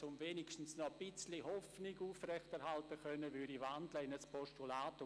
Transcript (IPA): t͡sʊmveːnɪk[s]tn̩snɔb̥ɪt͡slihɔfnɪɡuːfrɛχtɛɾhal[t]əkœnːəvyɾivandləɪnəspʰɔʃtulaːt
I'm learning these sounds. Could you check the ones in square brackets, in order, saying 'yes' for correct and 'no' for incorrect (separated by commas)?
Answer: no, yes